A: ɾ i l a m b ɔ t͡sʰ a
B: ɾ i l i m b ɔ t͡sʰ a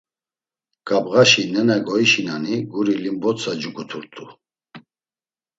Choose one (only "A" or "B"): B